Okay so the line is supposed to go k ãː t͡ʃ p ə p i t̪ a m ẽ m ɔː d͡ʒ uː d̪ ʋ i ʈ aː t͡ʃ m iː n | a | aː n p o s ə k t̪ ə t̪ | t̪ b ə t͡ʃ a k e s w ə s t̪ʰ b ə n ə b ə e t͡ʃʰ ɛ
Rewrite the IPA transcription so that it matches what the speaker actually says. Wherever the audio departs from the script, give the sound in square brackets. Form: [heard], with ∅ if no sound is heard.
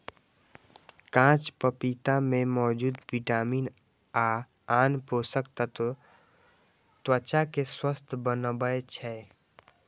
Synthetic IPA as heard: k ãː t͡ʃ p ə p i t̪ a m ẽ m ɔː d͡ʒ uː d̪ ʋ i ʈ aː [∅] m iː n | a | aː n p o s ə k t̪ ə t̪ | t̪ [w] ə t͡ʃ a k e s w ə s t̪ʰ b ə n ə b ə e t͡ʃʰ ɛ